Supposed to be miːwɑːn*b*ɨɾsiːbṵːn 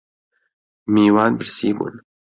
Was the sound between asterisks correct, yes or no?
yes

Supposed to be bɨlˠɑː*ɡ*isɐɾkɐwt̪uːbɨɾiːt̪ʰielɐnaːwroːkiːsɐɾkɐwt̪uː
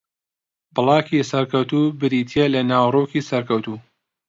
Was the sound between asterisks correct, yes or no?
no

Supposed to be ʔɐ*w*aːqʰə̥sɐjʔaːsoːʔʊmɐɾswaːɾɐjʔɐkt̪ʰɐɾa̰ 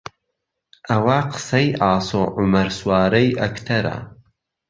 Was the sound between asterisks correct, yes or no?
yes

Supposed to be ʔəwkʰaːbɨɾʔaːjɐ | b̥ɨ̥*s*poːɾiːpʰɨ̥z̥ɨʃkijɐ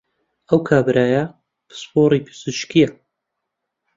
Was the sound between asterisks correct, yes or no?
yes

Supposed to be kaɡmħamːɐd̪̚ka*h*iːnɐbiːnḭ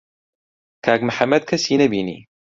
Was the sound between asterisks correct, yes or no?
no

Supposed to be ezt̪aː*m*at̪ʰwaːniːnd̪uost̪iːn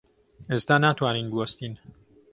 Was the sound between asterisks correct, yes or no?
no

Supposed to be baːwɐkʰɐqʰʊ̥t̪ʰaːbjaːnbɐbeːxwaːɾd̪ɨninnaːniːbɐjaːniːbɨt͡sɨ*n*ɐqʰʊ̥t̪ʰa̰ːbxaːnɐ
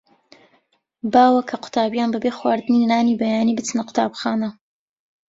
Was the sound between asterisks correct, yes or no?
yes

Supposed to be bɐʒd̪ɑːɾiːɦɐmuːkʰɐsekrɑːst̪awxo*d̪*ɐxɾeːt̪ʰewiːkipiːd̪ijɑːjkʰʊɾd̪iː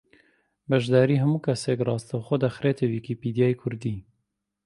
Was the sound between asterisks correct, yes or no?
yes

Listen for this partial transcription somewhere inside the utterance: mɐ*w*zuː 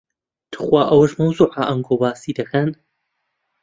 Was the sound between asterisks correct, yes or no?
yes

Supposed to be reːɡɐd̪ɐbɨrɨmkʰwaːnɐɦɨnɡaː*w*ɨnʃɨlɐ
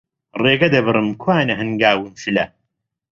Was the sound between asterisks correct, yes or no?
yes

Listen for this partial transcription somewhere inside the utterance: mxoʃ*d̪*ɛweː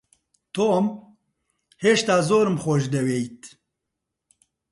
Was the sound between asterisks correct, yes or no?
yes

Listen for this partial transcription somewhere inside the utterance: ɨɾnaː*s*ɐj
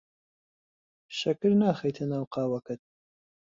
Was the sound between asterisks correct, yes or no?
no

